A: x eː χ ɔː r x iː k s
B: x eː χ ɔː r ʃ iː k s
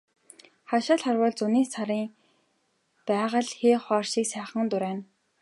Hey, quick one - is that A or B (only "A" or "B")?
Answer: B